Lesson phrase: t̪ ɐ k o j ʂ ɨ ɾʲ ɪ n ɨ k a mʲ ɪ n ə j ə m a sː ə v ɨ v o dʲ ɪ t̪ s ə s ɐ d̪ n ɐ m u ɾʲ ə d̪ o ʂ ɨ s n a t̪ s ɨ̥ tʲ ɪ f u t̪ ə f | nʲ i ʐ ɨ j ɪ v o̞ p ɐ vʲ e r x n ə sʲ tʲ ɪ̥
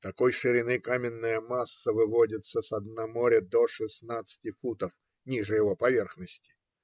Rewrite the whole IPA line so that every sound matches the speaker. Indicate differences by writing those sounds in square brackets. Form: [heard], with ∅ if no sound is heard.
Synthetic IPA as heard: t̪ ɐ k o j ʂ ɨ ɾʲ ɪ n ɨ k a mʲ ɪ [nː] ə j ə m a sː ə v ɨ v o dʲ ɪ t̪ s ə s ɐ d̪ n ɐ m [o] ɾʲ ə d̪ o ʂ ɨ s n a t̪ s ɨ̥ tʲ ɪ f u t̪ ə f | nʲ i ʐ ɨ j ɪ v o̞ p ɐ vʲ e r x n ə sʲ tʲ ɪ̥